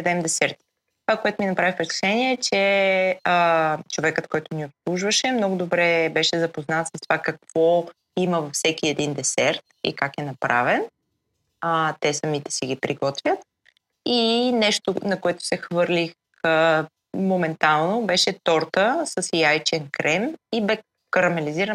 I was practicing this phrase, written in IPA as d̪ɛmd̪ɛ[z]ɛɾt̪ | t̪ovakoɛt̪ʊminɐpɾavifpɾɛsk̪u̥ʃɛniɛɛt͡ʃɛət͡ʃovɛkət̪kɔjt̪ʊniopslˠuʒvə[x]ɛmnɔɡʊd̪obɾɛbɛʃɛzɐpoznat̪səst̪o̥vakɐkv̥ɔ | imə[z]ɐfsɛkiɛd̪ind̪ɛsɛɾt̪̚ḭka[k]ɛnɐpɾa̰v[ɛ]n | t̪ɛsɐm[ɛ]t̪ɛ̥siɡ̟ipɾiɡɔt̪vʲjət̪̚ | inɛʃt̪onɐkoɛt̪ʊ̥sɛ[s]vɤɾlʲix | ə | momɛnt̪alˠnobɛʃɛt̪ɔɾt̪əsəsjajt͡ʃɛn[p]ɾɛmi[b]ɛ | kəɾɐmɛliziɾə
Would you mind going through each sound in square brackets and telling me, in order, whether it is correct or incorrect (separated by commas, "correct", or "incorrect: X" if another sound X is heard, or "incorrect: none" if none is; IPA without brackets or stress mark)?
incorrect: s, incorrect: ʃ, incorrect: v, correct, correct, incorrect: i, incorrect: x, incorrect: k, correct